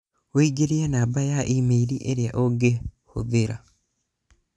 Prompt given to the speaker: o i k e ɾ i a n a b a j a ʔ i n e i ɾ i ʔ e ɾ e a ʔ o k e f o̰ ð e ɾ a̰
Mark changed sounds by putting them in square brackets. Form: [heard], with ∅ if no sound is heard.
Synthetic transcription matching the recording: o i [ɡ] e ɾ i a n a b a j a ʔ i [m] e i ɾ i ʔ e ɾ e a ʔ o [ɡ] e [h] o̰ ð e ɾ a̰

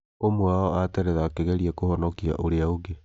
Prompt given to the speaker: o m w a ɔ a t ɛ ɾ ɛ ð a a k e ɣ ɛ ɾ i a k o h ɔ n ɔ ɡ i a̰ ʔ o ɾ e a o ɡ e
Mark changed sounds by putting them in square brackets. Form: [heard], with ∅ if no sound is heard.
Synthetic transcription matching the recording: o m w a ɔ a t ɛ ɾ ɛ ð a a k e ɣ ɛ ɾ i a k o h ɔ n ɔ [k] i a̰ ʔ o ɾ e a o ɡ e

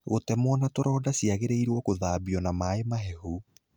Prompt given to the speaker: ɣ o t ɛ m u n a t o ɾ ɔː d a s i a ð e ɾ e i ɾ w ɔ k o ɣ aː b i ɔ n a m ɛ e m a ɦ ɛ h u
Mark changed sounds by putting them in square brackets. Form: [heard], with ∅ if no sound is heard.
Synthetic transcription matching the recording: ɣ o t ɛ m [ɔ] n a t o ɾ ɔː d a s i a [ɣ] e ɾ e i ɾ w ɔ k o [ð] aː b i ɔ n a m [a] e m a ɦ ɛ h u

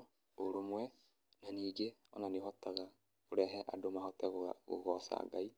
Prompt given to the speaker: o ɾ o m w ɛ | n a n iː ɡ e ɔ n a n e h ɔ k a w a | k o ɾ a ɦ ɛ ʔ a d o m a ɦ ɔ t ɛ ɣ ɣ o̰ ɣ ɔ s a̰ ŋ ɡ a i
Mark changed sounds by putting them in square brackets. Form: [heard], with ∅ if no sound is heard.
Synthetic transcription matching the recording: o ɾ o m w ɛ | n a n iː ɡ e ɔ n a n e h ɔ [t] a [ɣ] a | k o ɾ [ɛ] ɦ ɛ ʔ a d o m a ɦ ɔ t ɛ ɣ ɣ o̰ ɣ ɔ s a̰ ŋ ɡ a i

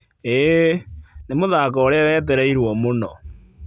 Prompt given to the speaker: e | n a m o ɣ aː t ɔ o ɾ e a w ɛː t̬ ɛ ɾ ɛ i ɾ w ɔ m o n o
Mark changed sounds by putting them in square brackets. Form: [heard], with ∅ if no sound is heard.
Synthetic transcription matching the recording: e | n [e] m o [ð] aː [k] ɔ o ɾ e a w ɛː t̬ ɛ ɾ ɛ i ɾ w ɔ m o n [ɔ]

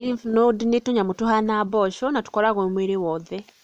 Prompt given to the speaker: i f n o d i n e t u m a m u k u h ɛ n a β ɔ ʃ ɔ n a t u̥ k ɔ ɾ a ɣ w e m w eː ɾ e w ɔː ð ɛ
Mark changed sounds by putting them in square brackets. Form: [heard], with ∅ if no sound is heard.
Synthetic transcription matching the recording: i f n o d i n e t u [ɲ] a m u [t] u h [a] n a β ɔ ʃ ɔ n a t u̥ k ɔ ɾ a ɣ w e m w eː ɾ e w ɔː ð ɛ

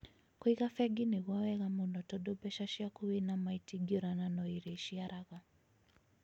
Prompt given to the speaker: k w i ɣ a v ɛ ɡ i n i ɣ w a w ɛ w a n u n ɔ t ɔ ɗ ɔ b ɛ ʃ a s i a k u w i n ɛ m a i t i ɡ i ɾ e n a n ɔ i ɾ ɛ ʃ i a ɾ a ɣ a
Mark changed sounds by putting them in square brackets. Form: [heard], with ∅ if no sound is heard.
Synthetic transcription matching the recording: k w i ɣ a [f] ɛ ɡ i n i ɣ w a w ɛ [ɣ] a [m] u n ɔ t ɔ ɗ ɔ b ɛ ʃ a [ʃ] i a k u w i n [a] m a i t i ɡ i ɾ [a] n a n ɔ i ɾ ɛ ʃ i a ɾ a ɣ a

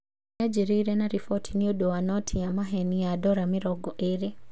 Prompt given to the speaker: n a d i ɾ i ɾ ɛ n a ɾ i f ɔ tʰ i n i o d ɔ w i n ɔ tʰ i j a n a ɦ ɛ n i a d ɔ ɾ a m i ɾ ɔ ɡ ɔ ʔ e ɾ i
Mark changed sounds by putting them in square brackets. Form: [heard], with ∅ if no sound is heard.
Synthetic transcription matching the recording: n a [d͡ʒ] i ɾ i ɾ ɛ n a ɾ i f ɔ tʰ i n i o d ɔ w [a] n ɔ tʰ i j a [m] a ɦ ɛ n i a d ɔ ɾ a m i ɾ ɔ ɡ ɔ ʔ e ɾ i

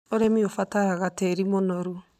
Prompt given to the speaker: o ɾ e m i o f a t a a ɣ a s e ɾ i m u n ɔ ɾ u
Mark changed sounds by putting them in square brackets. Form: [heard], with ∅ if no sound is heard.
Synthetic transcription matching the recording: o ɾ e m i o f a t a a ɣ a [t] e ɾ i m [o] n ɔ ɾ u

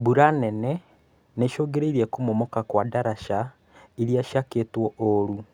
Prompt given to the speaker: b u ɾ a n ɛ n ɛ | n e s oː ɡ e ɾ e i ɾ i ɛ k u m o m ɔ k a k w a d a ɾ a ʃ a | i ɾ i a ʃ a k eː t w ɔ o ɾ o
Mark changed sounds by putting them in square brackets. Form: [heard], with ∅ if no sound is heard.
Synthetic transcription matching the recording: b u ɾ a n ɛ n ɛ | n e [ʃ] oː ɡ e ɾ e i ɾ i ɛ k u m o m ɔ k a k w a d a ɾ a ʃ a | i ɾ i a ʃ a k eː t w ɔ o ɾ [u]

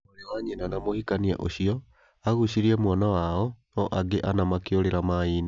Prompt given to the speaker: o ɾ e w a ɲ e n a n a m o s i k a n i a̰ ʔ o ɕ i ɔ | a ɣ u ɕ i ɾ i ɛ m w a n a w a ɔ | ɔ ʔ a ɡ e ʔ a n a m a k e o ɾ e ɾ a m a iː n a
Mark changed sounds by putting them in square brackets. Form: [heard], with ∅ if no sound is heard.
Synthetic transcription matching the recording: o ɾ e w a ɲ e n a n a m o [h] i k a n i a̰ ʔ o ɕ i ɔ | a ɣ u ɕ i ɾ i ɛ m w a n a w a ɔ | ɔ ʔ a ɡ e ʔ a n a m a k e o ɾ e ɾ a m a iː n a

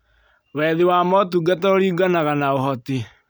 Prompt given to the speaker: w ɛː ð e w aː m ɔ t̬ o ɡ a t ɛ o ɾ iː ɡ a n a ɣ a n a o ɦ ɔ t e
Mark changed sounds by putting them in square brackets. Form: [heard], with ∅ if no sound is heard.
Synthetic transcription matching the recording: w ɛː ð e w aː m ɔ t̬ [u] ɡ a t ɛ o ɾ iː ɡ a n a ɣ a n a o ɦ ɔ t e

